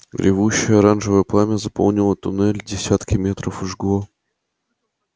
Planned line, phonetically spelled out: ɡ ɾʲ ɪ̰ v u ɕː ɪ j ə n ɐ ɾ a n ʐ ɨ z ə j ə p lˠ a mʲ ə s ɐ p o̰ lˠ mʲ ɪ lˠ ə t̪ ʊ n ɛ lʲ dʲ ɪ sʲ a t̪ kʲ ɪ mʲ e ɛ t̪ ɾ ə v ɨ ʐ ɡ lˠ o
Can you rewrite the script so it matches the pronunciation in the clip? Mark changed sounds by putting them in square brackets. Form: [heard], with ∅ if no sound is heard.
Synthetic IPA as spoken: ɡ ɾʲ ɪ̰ v u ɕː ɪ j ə [∅] ɐ ɾ a n ʐ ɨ [v] ə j ə p lˠ a mʲ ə [z] ɐ p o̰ lˠ [nʲ] ɪ lˠ ə t̪ ʊ n ɛ lʲ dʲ ɪ sʲ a t̪ kʲ ɪ mʲ e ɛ t̪ ɾ ə [f] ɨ ʐ ɡ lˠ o

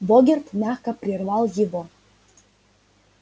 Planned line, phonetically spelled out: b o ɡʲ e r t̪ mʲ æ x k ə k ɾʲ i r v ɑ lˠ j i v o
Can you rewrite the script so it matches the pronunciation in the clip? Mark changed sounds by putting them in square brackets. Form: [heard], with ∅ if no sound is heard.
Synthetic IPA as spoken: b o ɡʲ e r t̪ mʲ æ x k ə [p] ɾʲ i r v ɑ lˠ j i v o

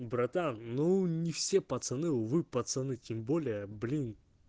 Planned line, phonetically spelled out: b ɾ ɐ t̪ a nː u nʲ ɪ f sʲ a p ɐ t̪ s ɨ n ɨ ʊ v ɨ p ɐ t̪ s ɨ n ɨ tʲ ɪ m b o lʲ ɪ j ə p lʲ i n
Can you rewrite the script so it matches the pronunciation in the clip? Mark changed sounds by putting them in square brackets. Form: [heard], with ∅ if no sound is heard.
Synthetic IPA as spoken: b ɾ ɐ t̪ a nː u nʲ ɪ f sʲ [e] p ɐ t̪ s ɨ n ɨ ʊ v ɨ p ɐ t̪ s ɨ n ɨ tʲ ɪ m b o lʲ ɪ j ə [b] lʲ i n

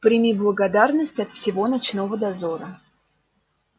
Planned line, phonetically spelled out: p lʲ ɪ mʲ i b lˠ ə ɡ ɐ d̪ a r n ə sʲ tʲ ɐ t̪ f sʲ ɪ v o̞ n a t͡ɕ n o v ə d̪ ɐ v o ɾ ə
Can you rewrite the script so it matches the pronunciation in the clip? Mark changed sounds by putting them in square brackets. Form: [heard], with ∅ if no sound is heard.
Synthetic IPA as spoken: p [ɾʲ] ɪ mʲ i b lˠ ə ɡ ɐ d̪ a r n ə sʲ tʲ ɐ t̪ f sʲ ɪ v o̞ n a t͡ɕ n o v ə d̪ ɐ [z] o ɾ ə

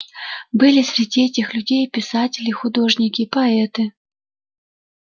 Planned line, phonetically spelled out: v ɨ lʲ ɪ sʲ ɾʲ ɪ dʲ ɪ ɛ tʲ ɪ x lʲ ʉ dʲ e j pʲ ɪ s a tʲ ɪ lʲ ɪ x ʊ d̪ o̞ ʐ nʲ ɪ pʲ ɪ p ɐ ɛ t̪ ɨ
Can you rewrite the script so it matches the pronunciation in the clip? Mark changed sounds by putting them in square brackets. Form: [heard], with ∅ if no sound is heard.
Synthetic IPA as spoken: [b] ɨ lʲ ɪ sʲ ɾʲ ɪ dʲ [i] ɛ tʲ ɪ x lʲ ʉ dʲ e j pʲ ɪ s a tʲ ɪ lʲ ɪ x ʊ d̪ o̞ ʐ nʲ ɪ [kʲ] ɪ p ɐ ɛ t̪ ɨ

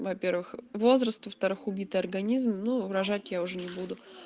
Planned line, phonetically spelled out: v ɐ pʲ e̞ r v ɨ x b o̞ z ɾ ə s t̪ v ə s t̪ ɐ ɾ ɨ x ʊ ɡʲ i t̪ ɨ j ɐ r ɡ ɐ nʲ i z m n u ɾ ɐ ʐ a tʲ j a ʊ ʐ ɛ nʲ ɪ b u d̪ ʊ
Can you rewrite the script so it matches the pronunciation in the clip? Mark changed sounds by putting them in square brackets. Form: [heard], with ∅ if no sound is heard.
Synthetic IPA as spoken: v ɐ pʲ e̞ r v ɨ x [v] o̞ z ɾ ə s t̪ v ə [f] t̪ ɐ ɾ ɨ x ʊ [bʲ] i t̪ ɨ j ɐ r ɡ ɐ nʲ i z m n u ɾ ɐ ʐ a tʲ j a ʊ ʐ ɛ nʲ ɪ b u d̪ ʊ

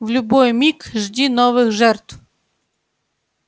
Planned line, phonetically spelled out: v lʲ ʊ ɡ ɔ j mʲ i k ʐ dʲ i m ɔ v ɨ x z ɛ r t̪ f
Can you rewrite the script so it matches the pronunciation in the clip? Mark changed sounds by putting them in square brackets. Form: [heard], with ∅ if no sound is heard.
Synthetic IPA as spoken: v lʲ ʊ [b] ɔ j mʲ i k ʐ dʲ i [n] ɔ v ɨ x [ʐ] ɛ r t̪ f

